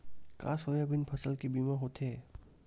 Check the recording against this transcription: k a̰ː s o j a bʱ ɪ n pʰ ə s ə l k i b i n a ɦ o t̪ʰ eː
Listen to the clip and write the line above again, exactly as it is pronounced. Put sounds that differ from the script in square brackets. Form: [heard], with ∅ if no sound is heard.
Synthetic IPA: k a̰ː s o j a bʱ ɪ n pʰ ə s ə l k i b i [m] a ɦ o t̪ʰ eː